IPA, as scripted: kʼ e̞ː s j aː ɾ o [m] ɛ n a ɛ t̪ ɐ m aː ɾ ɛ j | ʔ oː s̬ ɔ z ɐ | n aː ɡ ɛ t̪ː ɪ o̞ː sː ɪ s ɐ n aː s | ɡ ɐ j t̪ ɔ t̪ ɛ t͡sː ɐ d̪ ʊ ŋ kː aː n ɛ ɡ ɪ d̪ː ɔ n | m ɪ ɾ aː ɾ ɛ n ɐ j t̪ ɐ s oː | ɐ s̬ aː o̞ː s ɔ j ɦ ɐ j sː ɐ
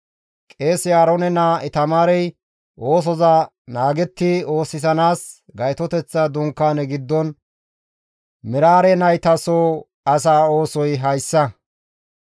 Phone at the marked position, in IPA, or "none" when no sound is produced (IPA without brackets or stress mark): n